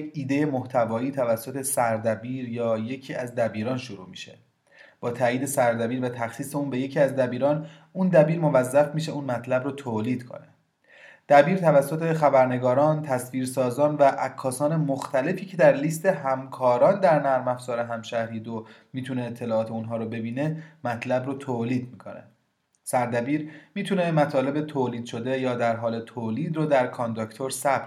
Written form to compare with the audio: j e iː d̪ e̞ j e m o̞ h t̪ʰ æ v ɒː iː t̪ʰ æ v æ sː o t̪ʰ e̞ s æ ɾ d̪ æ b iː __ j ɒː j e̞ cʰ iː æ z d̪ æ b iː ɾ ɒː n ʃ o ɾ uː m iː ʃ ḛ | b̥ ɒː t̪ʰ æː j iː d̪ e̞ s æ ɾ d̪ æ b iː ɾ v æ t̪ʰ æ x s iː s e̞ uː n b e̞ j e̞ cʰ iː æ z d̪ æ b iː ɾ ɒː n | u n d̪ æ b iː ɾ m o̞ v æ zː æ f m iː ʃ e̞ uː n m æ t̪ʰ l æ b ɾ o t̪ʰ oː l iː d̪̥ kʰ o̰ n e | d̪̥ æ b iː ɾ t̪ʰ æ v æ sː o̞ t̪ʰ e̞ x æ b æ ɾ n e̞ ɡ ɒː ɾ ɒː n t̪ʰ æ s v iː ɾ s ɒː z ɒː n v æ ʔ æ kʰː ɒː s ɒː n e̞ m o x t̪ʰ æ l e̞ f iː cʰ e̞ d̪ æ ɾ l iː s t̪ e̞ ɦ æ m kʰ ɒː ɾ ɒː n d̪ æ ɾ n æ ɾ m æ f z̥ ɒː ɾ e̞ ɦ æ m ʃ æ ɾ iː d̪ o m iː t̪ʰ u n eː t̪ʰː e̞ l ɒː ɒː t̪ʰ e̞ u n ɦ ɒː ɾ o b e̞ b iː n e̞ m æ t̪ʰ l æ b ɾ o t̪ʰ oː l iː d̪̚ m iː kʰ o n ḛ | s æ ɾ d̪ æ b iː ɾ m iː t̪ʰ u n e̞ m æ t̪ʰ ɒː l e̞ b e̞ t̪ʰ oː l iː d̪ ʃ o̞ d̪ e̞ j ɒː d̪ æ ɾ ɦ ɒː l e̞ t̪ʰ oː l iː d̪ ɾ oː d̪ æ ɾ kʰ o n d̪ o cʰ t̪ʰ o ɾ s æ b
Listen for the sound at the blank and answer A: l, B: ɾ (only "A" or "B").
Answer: B